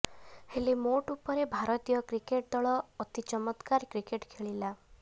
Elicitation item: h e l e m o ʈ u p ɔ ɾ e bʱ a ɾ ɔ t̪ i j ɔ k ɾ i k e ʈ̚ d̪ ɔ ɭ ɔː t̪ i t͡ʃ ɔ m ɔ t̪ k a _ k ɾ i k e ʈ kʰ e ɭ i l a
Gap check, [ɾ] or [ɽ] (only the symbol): ɾ